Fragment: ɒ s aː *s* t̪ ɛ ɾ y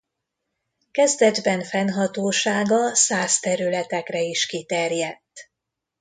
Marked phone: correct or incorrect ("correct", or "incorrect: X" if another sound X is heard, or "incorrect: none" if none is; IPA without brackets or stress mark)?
correct